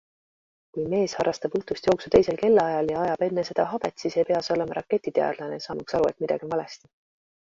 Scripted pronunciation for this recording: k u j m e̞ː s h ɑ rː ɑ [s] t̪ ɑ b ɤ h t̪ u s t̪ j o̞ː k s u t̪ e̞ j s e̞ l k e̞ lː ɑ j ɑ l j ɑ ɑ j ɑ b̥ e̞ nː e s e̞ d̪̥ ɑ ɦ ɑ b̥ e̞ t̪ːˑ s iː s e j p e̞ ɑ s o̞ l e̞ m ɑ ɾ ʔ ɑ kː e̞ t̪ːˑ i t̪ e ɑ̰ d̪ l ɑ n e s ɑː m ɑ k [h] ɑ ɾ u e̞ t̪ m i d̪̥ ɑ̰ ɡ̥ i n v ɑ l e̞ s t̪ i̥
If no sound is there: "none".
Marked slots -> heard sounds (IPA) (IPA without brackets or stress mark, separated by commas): s, s